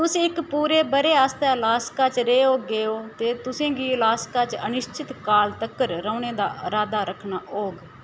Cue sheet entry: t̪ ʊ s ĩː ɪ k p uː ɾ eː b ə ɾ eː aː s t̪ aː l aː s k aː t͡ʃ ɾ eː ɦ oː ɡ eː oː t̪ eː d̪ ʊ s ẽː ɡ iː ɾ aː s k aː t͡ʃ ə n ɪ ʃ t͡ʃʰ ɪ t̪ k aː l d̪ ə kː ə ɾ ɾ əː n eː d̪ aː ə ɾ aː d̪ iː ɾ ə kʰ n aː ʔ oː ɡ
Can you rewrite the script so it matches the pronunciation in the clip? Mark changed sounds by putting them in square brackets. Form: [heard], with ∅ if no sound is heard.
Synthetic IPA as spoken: t̪ ʊ s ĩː ɪ k p uː ɾ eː b ə ɾ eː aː s t̪ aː l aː s k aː t͡ʃ ɾ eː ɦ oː ɡ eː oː t̪ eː [t̪] ʊ s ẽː ɡ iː [l] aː s k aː t͡ʃ ə n ɪ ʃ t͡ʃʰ ɪ t̪ k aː l [t̪] ə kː ə ɾ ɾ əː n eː d̪ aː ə ɾ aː d̪ [aː] ɾ ə kʰ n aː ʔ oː ɡ